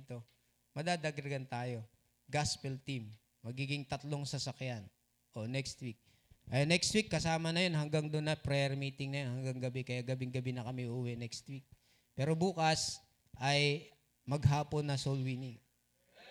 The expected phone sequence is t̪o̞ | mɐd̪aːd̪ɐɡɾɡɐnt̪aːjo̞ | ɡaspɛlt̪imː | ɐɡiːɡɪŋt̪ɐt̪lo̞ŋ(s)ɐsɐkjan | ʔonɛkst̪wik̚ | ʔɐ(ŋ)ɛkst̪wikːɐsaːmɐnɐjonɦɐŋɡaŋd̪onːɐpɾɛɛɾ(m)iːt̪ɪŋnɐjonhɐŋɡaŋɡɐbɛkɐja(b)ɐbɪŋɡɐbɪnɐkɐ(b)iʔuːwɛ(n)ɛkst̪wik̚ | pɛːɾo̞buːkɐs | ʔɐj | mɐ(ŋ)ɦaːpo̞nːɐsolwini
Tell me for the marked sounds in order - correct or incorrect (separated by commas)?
correct, incorrect, correct, incorrect, incorrect, correct, incorrect